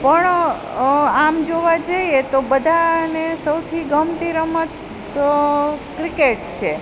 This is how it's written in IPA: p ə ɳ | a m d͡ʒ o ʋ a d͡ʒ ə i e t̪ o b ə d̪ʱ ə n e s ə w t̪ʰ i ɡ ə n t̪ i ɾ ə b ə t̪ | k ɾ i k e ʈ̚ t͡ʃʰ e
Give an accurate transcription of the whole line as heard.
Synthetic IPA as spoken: p ə ɳ | a m d͡ʒ o ʋ a d͡ʒ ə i e t̪ o b ə d̪ʱ a n e s ə w t̪ʰ i ɡ ə m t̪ i ɾ ə m ə t̪ | k ɾ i k e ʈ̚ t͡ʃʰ e

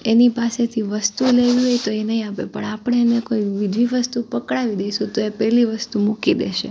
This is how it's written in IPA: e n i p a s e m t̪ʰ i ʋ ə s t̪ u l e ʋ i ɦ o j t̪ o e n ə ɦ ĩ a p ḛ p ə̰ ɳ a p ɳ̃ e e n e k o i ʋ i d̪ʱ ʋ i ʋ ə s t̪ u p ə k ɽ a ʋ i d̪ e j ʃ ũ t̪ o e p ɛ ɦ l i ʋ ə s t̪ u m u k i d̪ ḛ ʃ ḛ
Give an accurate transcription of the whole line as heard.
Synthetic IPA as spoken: e n i p a s e t̪ʰ i ʋ ə s t̪ u l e ʋ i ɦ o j t̪ o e n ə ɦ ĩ a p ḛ p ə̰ ɳ a p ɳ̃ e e n e k o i ʋ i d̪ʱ ʋ i ʋ ə s t̪ u p ə k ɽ a ʋ i d̪ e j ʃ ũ t̪ o e p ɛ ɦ l i ʋ ə s t̪ u m u k i d̪ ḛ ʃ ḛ

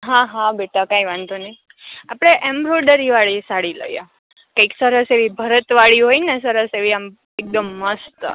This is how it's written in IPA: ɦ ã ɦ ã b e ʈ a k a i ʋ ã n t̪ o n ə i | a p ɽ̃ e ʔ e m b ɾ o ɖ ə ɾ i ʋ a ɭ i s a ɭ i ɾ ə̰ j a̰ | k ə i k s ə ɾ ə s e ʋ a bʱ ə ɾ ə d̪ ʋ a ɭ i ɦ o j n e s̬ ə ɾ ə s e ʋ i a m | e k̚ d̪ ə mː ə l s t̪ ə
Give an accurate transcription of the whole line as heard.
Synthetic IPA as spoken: ɦ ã ɦ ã b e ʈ a k a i ʋ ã n t̪ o n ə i | a p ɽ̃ e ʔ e m b ɾ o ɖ ə ɾ i ʋ a ɭ i s a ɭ i l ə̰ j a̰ | k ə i k s ə ɾ ə s e ʋ i bʱ ə ɾ ə t̪ ʋ a ɭ i ɦ o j n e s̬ ə ɾ ə s e ʋ i a m | e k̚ d̪ ə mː ə s t̪ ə

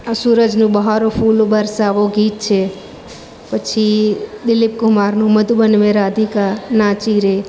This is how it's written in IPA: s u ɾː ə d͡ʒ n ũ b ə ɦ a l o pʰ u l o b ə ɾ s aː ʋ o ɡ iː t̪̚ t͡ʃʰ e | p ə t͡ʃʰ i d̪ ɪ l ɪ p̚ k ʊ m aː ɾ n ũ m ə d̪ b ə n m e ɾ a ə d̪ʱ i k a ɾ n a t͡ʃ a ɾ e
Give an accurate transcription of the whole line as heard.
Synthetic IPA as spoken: s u ɾ ə d͡ʒ n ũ b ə ɦ a ɾ o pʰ u l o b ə ɾ s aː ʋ o ɡ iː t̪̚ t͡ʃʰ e | p ə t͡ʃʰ i d̪ ɪ l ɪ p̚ k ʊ m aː ɾ n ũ m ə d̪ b ə n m e ɾ a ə d̪ʱ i k a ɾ n a t͡ʃ i ɾ e

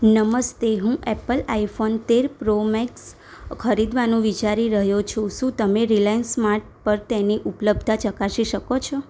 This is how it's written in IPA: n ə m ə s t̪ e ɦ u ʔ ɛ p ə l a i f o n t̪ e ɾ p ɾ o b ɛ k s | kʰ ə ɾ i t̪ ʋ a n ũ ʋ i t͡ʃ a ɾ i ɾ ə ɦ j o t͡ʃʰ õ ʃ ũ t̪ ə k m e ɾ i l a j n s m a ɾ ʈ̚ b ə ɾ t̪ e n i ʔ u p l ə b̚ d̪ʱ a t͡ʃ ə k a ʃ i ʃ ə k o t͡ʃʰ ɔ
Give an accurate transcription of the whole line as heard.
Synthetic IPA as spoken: n ə m ə s t̪ e ɦ ũ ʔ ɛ p ə l a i f o n t̪ e ɾ p ɾ o m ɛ k s | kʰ ə ɾ i d̪ ʋ a n ũ ʋ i t͡ʃ a ɾ i ɾ ə ɦ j o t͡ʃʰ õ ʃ ũ t̪ ə m e ɾ i l a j n s m a ɾ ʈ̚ p ə ɾ t̪ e n i ʔ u p l ə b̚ d̪ʱ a t͡ʃ ə k a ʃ i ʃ ə k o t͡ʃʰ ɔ

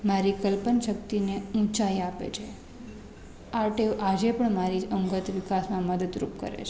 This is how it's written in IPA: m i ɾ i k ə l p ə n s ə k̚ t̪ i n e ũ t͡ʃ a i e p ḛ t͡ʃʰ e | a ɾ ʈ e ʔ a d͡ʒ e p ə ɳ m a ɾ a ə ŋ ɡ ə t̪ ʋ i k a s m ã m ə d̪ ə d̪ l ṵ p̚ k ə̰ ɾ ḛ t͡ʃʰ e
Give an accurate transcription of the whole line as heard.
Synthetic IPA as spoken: m a ɾ i k ə l p ə n ʃ ə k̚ t̪ i n e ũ t͡ʃ a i a p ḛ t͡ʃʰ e | a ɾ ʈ e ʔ a d͡ʒ e p ə ɳ m a ɾ i ə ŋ ɡ ə t̪ ʋ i k a s m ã m ə d̪ ə d̪ ɾ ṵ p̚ k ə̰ ɾ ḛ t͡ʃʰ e

